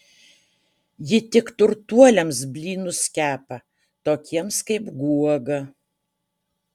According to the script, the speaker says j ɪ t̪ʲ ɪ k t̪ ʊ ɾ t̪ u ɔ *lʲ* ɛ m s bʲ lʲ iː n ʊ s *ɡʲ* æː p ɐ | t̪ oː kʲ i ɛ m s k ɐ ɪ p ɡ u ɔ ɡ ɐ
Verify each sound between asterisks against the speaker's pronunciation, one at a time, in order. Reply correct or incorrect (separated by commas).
correct, incorrect